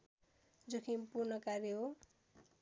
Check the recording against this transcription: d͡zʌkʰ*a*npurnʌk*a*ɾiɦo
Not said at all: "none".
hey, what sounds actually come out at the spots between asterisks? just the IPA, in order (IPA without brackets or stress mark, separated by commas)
i, a